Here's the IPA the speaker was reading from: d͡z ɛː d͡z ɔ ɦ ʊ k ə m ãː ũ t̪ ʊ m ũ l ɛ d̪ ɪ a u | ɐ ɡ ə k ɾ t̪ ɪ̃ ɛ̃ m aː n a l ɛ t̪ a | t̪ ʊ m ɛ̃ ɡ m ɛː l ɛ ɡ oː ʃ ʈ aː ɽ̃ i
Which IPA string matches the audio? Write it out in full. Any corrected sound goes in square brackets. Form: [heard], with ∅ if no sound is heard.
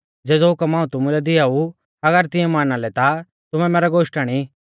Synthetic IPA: d͡z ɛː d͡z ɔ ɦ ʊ k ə m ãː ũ t̪ ʊ m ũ l ɛ d̪ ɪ a u | ɐ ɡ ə [∅] ɾ t̪ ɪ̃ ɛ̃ m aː n a l ɛ t̪ a | t̪ ʊ m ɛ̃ [∅] m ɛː [ɾ] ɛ ɡ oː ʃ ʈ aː ɽ̃ i